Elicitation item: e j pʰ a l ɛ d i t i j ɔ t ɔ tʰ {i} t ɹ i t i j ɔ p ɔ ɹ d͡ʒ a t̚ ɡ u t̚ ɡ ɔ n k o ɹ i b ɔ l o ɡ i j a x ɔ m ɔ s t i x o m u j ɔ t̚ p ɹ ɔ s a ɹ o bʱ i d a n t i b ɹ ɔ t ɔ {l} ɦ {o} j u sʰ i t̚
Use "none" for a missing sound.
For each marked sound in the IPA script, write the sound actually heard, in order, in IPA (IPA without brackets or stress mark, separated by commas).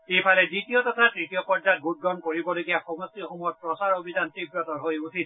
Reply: a, ɹ, o